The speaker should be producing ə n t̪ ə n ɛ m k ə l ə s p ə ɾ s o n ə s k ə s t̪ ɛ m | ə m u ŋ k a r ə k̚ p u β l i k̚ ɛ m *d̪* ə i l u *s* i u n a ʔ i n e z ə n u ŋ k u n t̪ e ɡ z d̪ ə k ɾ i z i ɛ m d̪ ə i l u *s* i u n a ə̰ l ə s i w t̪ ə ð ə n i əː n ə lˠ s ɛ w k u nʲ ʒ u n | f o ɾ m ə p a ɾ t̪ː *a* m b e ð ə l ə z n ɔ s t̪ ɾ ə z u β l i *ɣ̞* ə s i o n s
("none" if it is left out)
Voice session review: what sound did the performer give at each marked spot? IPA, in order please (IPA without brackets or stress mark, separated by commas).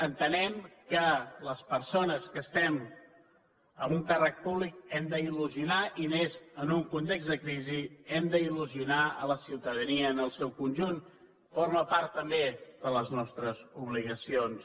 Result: d̪, z, z, ə, ɣ̞